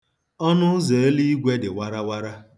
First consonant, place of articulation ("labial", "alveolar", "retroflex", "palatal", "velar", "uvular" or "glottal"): alveolar